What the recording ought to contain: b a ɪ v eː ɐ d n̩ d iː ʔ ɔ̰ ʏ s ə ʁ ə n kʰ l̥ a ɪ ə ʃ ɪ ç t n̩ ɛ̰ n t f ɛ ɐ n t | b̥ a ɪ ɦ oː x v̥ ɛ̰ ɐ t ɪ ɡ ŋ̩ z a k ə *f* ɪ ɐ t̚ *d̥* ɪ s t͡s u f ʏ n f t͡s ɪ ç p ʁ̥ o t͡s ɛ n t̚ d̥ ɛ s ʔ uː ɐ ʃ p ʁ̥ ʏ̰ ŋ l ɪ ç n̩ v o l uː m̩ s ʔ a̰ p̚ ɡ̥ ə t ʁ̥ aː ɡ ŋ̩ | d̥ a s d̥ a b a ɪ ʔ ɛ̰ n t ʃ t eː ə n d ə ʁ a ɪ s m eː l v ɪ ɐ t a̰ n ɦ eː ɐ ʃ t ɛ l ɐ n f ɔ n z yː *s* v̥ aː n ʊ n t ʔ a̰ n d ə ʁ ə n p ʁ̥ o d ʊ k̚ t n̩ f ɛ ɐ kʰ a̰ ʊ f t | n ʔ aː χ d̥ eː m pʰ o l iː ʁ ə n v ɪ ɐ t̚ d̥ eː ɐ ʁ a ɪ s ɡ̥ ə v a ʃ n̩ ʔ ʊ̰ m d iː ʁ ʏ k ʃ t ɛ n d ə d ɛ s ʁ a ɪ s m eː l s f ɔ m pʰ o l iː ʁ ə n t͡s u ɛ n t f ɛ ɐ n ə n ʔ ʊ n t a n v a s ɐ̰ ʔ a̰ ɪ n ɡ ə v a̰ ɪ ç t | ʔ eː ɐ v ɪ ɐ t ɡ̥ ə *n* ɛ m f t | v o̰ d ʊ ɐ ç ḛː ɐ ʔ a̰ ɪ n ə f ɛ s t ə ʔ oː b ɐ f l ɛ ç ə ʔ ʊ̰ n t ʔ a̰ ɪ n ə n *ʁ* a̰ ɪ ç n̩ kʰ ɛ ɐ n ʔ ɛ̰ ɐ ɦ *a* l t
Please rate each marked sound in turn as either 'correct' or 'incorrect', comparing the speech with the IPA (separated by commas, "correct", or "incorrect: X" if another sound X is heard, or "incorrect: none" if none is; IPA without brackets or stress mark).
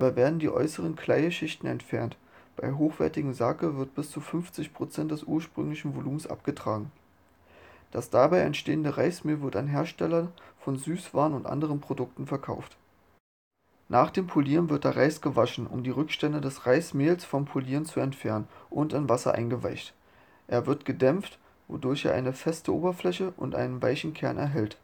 incorrect: v, incorrect: b̥, correct, incorrect: d, incorrect: v, incorrect: ɛ